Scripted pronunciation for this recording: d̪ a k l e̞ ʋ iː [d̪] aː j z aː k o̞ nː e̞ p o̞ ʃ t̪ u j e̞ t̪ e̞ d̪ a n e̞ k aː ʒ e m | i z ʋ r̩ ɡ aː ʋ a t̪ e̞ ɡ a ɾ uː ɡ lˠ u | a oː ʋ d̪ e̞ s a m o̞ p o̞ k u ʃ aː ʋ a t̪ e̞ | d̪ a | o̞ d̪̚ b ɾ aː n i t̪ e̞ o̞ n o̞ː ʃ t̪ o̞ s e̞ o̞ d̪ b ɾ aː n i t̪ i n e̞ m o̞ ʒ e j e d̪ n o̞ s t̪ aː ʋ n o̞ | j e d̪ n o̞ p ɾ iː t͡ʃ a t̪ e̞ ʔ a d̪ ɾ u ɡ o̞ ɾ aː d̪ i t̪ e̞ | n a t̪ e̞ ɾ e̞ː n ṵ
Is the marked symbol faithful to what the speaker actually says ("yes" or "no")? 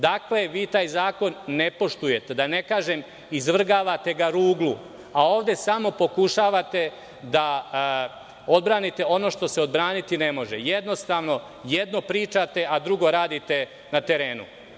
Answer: no